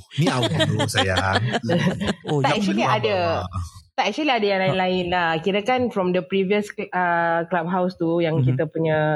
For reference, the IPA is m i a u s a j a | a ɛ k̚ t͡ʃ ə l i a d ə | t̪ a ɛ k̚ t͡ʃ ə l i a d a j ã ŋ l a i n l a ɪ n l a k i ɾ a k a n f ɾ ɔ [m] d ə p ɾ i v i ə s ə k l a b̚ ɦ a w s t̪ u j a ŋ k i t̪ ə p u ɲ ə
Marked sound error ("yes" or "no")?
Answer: no